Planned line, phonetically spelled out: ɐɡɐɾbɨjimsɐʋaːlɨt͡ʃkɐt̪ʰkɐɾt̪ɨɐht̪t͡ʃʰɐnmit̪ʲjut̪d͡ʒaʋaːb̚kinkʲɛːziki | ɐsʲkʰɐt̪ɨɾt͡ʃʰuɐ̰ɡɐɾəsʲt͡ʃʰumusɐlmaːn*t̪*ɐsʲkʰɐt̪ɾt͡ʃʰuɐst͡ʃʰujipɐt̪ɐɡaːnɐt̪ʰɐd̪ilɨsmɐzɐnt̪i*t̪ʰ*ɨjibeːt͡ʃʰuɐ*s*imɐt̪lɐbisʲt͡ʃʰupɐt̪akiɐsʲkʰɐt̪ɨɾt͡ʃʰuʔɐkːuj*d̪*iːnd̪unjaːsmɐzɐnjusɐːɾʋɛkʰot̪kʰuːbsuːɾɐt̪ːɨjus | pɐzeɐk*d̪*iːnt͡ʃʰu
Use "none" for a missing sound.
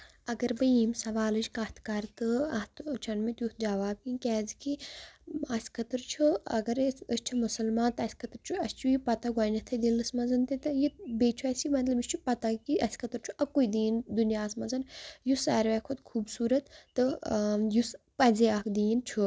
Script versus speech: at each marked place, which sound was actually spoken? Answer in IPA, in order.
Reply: t̪, t̪, s, d̪, d̪

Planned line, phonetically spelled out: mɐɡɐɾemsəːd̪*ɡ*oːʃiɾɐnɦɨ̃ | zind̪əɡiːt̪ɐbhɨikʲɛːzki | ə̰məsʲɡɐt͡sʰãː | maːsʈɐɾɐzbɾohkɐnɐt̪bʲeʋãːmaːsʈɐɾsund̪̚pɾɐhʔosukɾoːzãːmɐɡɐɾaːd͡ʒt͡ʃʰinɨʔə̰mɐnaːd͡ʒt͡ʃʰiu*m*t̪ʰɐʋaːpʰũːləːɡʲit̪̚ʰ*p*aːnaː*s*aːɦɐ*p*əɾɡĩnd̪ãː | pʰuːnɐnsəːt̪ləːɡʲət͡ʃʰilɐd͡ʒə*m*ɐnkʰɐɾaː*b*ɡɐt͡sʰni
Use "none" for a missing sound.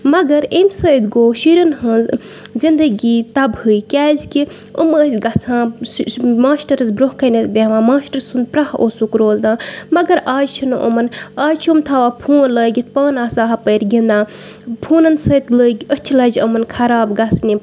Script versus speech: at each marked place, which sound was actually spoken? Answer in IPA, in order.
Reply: ɡ, m, p, s, p, m, b

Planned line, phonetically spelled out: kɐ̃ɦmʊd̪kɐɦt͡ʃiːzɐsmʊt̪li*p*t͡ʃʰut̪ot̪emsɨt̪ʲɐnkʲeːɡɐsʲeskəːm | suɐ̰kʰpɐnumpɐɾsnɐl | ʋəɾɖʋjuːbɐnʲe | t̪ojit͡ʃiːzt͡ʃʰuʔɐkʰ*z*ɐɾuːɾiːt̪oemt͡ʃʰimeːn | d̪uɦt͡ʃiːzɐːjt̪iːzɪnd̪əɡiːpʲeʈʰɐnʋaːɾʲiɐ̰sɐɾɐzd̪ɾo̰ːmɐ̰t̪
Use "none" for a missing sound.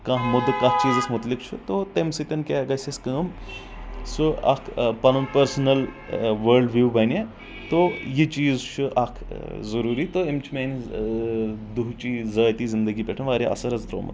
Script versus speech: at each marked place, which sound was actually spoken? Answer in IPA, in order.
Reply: k, z

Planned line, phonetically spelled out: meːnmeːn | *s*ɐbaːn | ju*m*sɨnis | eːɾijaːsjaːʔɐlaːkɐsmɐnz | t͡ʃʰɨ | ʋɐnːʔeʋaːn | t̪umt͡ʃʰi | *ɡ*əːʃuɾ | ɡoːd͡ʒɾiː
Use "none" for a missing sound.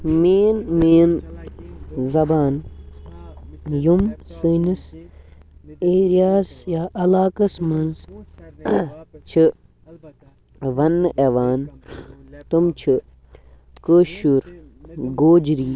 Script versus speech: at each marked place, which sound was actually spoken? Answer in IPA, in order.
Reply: z, m, k

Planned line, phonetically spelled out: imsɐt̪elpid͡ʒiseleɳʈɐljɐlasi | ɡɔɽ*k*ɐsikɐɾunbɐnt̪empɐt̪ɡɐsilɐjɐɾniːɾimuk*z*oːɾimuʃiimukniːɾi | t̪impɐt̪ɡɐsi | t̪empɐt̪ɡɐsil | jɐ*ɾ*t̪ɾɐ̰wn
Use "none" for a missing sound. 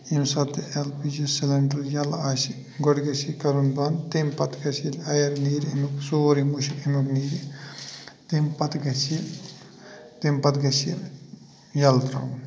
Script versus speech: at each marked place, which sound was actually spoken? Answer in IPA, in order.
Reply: ɡ, s, l

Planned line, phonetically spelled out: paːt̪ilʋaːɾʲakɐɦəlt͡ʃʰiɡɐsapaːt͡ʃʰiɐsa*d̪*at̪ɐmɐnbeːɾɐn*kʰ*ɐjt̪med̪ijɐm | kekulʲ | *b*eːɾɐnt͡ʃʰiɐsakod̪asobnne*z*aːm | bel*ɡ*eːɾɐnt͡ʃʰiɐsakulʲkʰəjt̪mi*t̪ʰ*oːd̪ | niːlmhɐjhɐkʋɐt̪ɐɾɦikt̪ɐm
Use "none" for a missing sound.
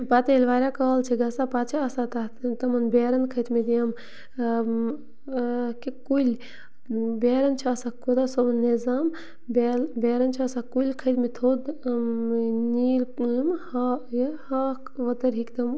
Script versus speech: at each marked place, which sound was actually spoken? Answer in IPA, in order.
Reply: t̪, kʰ, b, z, b, t̪ʰ

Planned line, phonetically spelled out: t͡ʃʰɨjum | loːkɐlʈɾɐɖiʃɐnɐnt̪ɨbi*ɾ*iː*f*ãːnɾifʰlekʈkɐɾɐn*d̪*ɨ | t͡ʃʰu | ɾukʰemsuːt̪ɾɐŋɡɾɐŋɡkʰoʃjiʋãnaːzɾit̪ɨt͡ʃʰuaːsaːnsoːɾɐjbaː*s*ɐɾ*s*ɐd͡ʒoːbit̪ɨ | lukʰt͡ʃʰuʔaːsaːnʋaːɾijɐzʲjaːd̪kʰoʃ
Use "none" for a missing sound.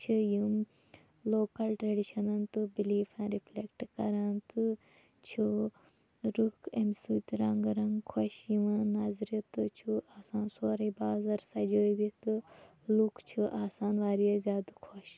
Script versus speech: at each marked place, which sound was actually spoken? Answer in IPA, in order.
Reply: l, f, t̪, z, s

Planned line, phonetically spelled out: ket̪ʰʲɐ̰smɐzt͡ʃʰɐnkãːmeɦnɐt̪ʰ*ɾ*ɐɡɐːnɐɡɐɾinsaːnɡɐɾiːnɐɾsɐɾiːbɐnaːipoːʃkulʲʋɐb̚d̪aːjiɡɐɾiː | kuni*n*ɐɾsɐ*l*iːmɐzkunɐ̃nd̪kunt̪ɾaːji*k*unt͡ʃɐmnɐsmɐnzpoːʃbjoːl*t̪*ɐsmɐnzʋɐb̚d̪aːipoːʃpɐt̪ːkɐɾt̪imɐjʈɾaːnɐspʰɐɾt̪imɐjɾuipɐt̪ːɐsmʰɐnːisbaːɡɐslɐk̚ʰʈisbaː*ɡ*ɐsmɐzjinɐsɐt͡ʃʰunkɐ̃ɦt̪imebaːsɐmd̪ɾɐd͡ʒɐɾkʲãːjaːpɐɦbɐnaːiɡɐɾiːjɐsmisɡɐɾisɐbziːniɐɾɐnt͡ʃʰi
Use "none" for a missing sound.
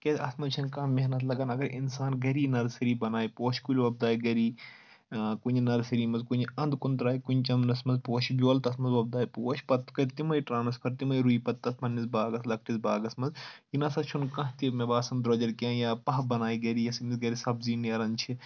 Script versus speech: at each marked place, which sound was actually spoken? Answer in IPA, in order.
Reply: l, n, ɾ, k, t̪, ɡ

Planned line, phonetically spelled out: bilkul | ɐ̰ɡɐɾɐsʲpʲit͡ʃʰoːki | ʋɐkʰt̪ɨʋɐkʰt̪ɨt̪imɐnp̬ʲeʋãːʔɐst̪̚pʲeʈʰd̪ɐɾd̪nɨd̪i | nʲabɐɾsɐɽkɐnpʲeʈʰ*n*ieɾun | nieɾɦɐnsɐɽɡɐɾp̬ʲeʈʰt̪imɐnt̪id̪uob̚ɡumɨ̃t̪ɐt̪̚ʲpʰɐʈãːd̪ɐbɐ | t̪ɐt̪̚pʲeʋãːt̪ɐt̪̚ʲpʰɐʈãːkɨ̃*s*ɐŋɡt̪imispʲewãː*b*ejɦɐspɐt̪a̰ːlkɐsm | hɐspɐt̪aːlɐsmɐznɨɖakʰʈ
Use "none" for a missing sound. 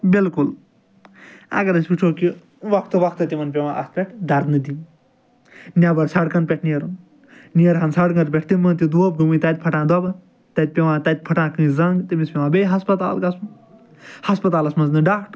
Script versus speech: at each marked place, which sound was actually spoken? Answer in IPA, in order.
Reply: n, z, b

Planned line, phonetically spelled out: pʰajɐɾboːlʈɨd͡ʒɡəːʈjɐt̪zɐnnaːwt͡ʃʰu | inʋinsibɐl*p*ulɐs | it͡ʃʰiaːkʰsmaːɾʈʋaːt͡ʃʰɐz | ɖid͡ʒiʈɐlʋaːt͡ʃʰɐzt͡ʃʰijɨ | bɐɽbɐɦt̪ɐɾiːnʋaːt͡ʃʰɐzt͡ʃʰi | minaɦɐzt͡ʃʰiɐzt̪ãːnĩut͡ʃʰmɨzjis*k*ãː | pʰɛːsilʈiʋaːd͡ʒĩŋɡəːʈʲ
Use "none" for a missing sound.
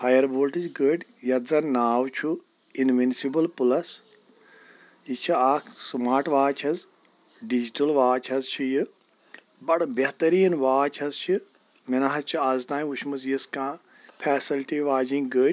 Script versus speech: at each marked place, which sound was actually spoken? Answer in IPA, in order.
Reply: p, k

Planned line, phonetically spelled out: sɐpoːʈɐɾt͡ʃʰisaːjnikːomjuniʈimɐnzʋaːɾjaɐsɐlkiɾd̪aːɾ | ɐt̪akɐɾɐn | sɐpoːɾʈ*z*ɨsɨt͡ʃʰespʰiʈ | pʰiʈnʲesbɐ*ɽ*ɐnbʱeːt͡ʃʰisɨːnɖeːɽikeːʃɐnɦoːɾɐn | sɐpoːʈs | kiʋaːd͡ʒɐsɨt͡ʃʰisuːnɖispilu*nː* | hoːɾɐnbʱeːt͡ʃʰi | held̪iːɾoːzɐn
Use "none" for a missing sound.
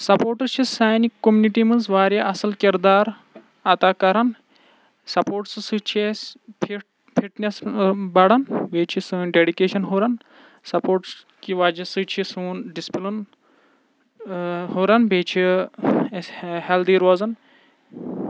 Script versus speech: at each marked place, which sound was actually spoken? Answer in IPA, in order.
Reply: s, ɽ, n

